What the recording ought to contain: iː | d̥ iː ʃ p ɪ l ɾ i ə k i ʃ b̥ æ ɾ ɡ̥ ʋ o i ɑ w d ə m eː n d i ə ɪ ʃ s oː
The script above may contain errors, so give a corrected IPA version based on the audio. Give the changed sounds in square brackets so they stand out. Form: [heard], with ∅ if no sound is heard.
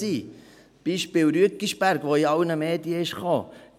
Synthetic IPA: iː | [b̥] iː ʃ p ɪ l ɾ [y] ə k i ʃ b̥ æ ɾ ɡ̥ ʋ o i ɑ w [n] ə m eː [∅] d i ə ɪ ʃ [χ] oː